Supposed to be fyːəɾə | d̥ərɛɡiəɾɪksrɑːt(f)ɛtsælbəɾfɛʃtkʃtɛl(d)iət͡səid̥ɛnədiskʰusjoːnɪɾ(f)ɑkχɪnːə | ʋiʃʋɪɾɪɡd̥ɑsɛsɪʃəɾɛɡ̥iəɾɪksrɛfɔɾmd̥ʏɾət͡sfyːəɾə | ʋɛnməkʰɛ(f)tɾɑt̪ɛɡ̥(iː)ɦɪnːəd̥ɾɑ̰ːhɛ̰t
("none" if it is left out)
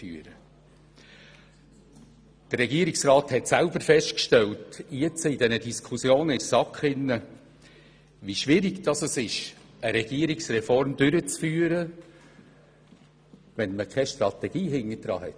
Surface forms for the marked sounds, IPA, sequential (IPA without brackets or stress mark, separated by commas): h, t, s, ʃ, iː